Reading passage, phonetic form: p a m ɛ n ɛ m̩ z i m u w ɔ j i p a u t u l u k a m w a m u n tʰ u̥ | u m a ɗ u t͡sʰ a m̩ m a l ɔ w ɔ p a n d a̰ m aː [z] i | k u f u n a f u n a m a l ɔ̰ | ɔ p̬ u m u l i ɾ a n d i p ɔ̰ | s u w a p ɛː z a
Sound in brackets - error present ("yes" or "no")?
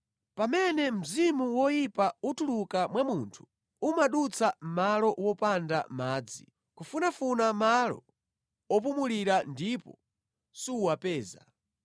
yes